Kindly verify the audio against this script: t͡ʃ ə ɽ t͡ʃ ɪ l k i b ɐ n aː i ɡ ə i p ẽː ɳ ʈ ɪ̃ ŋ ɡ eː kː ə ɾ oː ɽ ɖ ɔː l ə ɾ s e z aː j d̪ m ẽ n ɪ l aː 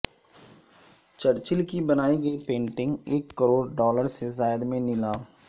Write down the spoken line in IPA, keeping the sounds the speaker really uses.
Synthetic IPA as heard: t͡ʃ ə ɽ t͡ʃ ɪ l k i b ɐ n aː i ɡ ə i p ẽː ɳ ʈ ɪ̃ ŋ ɡ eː kː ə ɾ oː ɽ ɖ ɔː l ə ɾ s e z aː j d̪ m ẽ n ɪ l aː